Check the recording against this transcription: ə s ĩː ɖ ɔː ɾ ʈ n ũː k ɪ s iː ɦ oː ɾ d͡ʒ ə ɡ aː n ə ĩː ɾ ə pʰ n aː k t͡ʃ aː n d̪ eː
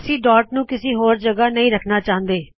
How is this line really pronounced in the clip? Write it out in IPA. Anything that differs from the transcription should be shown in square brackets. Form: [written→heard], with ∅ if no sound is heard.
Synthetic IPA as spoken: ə s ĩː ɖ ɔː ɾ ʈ n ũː k ɪ s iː ɦ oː ɾ d͡ʒ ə ɡ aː n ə ĩː ɾ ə [pʰ→kʰ] n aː [k→∅] t͡ʃ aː n d̪ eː